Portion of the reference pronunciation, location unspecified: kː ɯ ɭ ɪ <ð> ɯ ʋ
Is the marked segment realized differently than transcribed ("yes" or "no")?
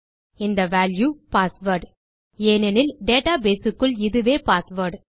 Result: no